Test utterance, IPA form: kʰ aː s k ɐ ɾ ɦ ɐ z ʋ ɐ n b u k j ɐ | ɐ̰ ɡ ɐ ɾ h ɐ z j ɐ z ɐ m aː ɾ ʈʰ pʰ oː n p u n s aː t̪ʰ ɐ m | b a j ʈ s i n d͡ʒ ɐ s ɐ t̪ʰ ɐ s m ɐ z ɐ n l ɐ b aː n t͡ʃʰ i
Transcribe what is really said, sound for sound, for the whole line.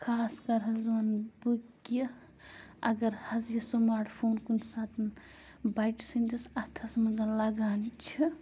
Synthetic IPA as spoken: kʰ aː s k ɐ ɾ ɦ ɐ z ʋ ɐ n b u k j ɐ | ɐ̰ ɡ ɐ ɾ h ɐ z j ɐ s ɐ m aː ɾ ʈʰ pʰ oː n k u n s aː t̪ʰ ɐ n | b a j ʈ s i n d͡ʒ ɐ s ɐ t̪ʰ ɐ s m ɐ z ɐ n l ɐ ɡ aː n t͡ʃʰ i